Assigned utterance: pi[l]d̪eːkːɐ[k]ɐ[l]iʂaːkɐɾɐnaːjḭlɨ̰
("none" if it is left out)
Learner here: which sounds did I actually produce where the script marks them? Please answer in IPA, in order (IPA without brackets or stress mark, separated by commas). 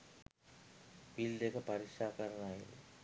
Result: l, p, ɾ